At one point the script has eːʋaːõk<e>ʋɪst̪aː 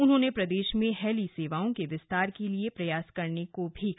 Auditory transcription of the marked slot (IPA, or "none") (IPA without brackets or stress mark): e